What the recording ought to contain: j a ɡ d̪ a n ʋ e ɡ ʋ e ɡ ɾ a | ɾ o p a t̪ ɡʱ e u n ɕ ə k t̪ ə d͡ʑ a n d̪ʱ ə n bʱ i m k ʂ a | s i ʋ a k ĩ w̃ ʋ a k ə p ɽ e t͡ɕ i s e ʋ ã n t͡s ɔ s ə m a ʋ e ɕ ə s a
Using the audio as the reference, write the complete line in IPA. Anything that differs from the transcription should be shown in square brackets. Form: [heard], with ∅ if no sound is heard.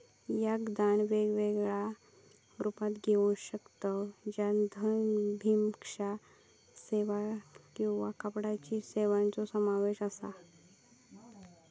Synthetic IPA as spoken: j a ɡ d̪ a n ʋ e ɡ ʋ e ɡ [ɭ] a | ɾ [u] p a t̪ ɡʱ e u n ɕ ə k t̪ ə d͡ʑ a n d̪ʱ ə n bʱ i m k ʂ a | s [e] ʋ a k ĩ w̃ ʋ a k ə p ɽ [a] t͡ɕ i s e ʋ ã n t͡s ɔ s ə m a ʋ e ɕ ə s a